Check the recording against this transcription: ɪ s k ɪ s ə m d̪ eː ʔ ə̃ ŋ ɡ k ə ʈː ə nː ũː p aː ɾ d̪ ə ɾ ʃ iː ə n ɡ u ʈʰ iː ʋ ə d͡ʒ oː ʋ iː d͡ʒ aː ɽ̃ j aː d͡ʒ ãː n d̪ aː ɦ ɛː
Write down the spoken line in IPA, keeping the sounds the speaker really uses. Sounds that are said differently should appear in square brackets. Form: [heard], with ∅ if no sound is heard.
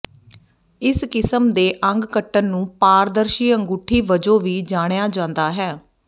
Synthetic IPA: ɪ s k ɪ s ə m d̪ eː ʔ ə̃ ŋ ɡ k ə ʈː ə nː ũː p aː ɾ d̪ ə ɾ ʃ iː ə [ŋ] ɡ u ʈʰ iː ʋ ə d͡ʒ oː ʋ iː d͡ʒ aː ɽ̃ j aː d͡ʒ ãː n d̪ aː ɦ ɛː